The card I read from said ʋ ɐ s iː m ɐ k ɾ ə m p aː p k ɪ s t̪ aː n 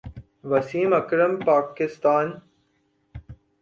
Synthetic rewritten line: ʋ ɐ s iː m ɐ k ɾ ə m p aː k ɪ s t̪ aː n